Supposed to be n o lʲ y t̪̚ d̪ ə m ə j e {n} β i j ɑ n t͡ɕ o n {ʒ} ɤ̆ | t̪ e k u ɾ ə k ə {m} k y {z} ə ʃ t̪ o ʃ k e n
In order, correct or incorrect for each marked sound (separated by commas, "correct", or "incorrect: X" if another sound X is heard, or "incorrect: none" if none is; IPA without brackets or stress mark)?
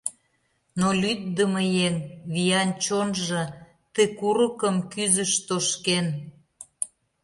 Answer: incorrect: ŋ, correct, correct, correct